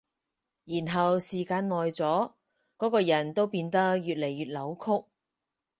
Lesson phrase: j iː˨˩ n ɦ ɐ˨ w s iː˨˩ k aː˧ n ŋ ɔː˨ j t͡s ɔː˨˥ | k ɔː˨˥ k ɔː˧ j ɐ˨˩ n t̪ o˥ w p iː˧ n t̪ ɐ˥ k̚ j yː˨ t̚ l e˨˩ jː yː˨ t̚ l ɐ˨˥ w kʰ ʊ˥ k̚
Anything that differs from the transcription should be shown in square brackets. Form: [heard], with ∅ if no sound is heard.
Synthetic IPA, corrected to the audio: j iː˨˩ n ɦ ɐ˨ w s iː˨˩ k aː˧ n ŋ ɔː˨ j t͡s ɔː˨˥ | k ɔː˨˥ k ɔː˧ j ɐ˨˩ n t̪ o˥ w p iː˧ n t̪ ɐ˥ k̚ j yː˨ t̚ l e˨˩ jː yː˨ t̚ l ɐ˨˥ w kʰ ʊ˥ k̚